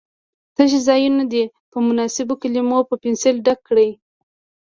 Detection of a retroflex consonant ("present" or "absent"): present